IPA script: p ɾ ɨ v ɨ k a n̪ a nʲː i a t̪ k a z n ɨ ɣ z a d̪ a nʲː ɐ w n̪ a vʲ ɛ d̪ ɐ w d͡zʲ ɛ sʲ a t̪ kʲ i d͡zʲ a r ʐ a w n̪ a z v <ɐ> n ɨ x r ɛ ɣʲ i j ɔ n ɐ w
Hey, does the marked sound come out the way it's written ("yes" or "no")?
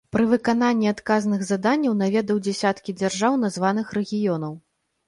no